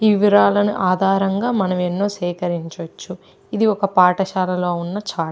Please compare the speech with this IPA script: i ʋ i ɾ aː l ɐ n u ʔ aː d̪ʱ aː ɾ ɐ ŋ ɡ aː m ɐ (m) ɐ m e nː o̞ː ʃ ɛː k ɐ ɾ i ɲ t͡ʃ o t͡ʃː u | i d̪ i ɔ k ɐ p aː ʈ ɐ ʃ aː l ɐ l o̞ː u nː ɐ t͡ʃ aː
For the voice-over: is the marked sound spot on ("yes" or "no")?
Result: no